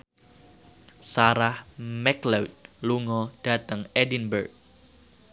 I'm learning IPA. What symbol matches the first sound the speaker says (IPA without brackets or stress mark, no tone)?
s